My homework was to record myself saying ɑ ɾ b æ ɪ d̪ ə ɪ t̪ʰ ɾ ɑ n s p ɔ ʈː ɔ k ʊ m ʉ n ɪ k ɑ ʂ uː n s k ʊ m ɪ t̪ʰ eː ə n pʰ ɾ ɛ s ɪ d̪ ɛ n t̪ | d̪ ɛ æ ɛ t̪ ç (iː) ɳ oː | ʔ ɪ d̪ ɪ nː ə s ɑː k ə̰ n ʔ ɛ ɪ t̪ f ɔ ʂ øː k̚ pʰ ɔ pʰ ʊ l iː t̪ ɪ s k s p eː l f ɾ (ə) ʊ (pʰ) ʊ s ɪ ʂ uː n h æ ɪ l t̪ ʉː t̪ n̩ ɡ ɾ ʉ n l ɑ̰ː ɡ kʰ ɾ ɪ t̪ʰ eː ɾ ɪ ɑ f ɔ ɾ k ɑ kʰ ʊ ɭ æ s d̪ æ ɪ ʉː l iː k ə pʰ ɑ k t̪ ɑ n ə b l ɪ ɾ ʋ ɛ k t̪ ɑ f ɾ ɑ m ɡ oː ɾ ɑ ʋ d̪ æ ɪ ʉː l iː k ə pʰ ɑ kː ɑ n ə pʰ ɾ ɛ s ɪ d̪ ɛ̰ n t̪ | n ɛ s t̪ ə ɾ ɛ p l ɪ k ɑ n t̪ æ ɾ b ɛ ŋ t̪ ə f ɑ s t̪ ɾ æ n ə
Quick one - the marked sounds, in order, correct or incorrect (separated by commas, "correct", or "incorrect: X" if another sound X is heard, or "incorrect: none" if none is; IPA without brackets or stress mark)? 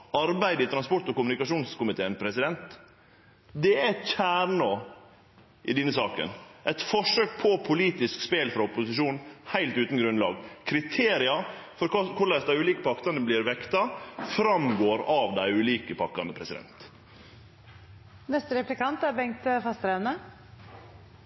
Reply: incorrect: æː, incorrect: ɑ, incorrect: p